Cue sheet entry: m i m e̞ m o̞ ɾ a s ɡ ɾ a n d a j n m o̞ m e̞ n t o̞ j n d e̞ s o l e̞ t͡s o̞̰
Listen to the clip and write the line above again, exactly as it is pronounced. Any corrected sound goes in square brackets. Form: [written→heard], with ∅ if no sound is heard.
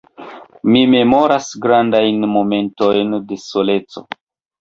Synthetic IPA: m i m e̞ m o̞ ɾ a s ɡ ɾ a n d a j n m o̞ m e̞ n t o̞ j n d e̞ s o l e̞ t͡s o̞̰